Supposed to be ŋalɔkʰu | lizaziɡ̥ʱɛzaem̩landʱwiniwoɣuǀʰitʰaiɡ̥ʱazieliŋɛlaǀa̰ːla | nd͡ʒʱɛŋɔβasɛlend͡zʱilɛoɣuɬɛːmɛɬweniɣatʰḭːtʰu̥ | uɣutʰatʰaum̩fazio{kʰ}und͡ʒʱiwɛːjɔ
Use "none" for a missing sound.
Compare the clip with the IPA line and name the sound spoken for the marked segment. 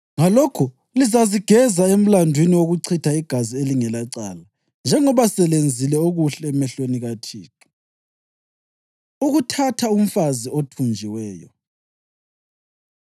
tʰ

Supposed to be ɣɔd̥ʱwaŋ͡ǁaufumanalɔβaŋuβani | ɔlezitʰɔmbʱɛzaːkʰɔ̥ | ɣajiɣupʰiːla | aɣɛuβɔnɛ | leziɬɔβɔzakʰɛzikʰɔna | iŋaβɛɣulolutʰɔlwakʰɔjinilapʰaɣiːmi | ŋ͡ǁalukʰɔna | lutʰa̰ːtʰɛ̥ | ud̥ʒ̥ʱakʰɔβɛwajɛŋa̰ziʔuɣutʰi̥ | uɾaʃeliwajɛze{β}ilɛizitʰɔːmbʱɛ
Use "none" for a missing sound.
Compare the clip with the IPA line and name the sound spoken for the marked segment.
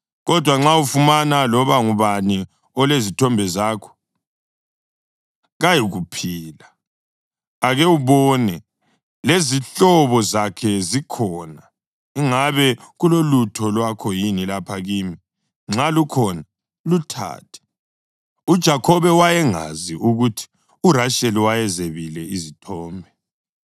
β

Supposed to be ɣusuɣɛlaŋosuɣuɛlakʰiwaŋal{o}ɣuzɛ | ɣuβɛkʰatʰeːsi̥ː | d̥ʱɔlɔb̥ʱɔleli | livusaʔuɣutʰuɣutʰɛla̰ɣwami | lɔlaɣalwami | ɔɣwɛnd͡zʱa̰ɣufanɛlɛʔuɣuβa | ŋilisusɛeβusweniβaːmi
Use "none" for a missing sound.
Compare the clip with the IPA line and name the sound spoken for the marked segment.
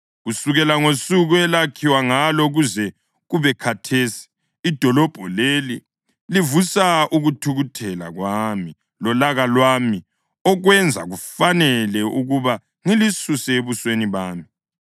ɔ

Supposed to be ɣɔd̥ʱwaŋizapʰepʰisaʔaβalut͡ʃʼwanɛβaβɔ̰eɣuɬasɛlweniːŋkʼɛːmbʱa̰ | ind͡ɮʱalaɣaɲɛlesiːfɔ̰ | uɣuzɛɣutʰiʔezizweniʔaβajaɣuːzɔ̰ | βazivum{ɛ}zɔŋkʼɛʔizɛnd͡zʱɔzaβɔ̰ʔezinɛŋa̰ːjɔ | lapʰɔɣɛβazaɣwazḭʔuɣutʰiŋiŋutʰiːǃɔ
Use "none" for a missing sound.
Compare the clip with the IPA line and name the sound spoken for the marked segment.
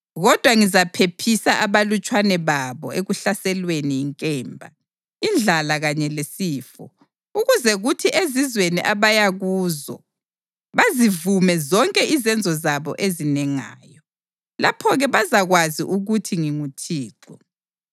ɛ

